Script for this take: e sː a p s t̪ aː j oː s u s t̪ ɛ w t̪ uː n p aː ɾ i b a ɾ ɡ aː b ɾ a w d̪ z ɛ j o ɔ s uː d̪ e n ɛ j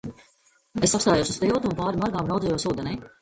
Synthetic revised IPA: e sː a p s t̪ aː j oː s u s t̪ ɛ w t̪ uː n p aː ɾ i m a ɾ ɡ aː m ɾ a w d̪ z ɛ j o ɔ s uː d̪ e n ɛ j